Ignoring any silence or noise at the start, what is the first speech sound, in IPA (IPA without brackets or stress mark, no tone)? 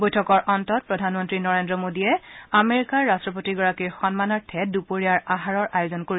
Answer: b